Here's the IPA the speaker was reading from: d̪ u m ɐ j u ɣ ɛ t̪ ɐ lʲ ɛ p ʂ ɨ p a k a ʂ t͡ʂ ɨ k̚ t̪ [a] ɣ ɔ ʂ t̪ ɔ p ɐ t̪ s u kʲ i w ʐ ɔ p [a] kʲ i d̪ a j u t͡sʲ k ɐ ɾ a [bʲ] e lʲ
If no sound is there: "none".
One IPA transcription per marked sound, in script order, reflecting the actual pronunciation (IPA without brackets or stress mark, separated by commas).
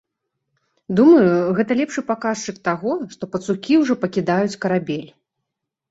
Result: a, ɐ, bʲ